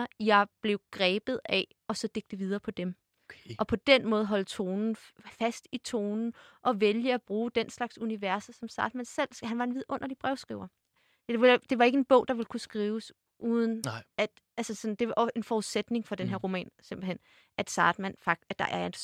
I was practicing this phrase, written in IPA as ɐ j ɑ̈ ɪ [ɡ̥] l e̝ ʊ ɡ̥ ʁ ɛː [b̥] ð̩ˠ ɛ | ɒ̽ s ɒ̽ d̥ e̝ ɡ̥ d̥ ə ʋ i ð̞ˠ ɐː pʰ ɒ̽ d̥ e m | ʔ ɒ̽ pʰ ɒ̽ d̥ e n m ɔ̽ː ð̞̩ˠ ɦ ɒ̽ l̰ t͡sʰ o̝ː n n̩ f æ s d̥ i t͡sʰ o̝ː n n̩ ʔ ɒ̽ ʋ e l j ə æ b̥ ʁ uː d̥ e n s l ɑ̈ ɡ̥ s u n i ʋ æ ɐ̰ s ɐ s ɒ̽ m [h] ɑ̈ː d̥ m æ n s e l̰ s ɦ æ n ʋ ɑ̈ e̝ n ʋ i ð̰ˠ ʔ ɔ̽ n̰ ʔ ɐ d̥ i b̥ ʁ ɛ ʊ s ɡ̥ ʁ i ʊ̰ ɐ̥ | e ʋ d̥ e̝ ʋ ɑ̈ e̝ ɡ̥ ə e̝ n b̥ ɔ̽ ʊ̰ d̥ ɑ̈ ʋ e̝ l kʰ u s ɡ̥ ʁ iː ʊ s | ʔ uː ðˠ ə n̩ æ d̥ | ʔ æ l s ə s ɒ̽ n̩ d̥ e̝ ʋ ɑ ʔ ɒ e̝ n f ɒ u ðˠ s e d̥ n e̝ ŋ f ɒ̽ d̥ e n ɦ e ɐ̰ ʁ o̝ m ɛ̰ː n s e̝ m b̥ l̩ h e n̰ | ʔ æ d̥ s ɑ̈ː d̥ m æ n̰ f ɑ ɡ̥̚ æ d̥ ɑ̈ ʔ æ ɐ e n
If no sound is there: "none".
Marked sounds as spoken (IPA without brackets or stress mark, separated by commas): b̥, b̥, s